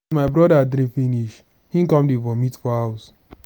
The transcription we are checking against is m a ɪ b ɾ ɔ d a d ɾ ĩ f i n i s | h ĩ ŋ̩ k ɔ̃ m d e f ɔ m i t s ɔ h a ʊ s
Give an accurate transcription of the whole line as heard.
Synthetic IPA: m a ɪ b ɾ ɔ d a d ɾ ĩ f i n i ʃ | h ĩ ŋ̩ k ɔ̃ m d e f ɔ m i t f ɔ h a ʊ s